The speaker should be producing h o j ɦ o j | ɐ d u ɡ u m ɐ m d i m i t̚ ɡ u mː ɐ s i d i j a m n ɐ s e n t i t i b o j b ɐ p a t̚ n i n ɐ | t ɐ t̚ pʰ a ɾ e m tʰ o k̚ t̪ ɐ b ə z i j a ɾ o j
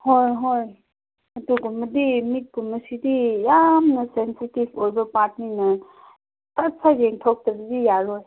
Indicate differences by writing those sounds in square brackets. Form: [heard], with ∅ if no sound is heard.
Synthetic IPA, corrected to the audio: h o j ɦ o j | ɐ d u ɡ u m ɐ [∅] d i m i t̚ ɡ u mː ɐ s i d i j a m n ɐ s e n [s] i t i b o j b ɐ p a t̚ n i n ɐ | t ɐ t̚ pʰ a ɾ e [ŋ] tʰ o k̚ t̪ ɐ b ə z i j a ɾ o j

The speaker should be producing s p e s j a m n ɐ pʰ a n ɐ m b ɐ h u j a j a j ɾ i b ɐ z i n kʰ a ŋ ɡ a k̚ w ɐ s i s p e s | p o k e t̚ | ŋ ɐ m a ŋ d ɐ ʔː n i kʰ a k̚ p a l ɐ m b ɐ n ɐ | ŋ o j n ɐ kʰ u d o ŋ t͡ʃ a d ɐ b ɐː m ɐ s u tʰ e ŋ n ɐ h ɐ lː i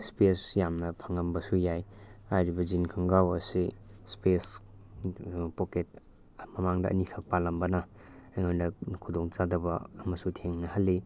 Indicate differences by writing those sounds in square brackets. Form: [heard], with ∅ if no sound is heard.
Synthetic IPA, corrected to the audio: s p e s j a m n ɐ pʰ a [ŋ] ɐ m b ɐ [s] u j a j a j ɾ i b ɐ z i n kʰ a ŋ ɡ a [∅] w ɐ s i s p e s | p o k e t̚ | [m] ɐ m a ŋ d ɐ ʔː n i kʰ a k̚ p a l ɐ m b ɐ n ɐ | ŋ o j n ɐ kʰ u d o ŋ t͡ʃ a d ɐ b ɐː m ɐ s u tʰ e ŋ n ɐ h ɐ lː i

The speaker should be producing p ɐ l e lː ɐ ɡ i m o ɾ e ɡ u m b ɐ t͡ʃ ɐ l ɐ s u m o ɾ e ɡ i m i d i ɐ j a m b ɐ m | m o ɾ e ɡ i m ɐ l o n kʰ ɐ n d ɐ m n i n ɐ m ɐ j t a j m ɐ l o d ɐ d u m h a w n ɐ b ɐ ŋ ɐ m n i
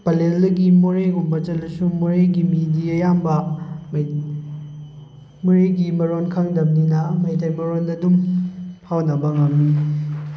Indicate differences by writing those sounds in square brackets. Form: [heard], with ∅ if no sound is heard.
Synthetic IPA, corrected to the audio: p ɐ l e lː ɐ ɡ i m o ɾ e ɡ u m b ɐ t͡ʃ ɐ l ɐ s u m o ɾ e ɡ i m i d i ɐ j a m b ɐ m | m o ɾ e ɡ i m ɐ [ɾ] o n kʰ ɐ [ŋ] d ɐ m n i n ɐ m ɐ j t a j m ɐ [ɾ] o [n] ɐ d u m h a w n ɐ b ɐ ŋ ɐ m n i

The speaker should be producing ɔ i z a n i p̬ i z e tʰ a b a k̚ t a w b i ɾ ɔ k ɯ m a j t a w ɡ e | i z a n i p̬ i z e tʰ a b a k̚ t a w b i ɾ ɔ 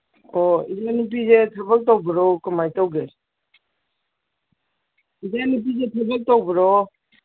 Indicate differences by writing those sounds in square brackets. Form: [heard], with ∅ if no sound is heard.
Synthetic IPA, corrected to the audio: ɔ i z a n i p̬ i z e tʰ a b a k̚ t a w b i ɾ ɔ k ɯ m a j t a w ɡ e | i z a n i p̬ i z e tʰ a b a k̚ t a w b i ɾ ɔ

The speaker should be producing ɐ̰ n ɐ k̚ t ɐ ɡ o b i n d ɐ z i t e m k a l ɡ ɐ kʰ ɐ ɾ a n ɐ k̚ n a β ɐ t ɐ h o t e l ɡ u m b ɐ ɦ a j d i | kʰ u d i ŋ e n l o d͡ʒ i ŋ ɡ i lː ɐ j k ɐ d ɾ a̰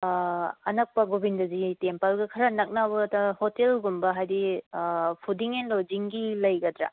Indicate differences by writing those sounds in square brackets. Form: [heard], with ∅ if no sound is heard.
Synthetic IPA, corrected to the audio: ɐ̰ n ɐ k̚ [p] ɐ ɡ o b i n d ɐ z i t e m [p] a l ɡ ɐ kʰ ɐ ɾ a n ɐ k̚ n a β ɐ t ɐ h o t e l ɡ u m b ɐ ɦ a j d i | [pʰ] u d i ŋ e n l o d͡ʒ i ŋ ɡ i [l] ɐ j [ɡ] ɐ d ɾ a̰

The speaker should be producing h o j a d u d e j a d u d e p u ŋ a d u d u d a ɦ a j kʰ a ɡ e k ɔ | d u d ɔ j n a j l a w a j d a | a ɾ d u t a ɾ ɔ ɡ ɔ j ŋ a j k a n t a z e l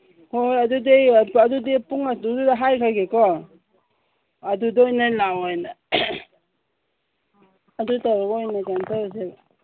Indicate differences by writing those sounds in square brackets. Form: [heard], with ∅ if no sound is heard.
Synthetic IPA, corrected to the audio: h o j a d u d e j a d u d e p u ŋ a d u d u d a ɦ a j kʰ a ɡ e k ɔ | d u d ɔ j n a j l a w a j [n] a | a [∅] d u t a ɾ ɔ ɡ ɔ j [n] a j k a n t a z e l

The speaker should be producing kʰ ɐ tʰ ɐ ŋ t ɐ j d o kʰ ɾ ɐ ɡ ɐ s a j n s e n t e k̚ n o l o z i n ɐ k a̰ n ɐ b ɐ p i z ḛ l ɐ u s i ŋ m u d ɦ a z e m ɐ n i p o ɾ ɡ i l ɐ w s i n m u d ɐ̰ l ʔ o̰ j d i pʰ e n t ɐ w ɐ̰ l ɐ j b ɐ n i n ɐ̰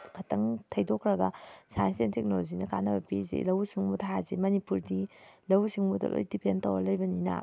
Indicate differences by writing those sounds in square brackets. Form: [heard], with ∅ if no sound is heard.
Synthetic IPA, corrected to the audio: kʰ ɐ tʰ ɐ ŋ [tʰ] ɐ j d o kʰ ɾ ɐ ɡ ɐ s a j n s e n t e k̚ n o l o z i n ɐ k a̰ n ɐ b ɐ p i z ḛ l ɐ [w] s i ŋ m u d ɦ a z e m ɐ n i p [u] ɾ [d] i l ɐ w s i [ŋ] m u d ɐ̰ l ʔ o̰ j d i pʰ e n t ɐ w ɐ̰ l ɐ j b ɐ n i n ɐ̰

